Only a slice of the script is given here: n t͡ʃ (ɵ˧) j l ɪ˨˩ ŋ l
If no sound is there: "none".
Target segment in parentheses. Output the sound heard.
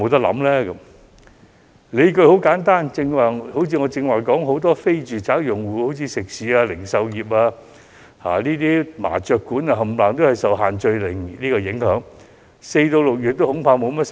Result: ɵ˧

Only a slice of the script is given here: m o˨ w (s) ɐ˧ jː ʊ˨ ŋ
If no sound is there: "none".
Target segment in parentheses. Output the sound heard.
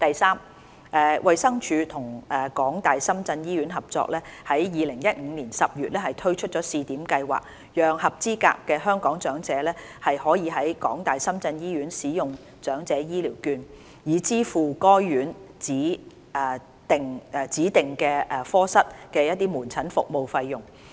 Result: f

